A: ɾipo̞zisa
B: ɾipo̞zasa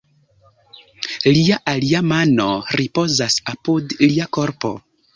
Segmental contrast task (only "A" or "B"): B